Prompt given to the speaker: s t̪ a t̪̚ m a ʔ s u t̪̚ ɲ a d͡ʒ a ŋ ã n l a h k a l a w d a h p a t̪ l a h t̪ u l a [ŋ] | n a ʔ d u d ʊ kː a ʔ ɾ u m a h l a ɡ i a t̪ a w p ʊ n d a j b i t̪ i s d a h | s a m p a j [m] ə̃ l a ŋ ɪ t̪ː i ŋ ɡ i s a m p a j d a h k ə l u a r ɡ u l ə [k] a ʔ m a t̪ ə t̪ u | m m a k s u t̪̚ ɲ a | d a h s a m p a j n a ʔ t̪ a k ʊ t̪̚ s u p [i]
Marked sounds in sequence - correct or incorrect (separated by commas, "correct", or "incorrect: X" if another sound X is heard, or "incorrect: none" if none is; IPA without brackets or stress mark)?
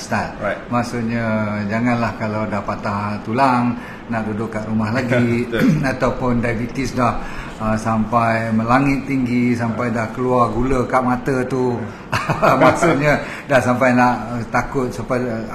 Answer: correct, correct, correct, incorrect: a